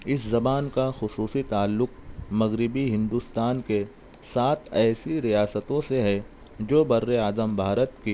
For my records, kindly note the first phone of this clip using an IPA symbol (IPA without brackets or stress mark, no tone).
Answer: ɪ